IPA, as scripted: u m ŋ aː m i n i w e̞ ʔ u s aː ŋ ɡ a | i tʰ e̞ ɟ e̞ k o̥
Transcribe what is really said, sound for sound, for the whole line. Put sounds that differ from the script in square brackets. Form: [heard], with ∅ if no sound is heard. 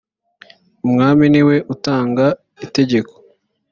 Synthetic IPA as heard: u m ŋ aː m i n i w e̞ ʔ u [t] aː ŋ ɡ a | i [t] e̞ ɟ e̞ k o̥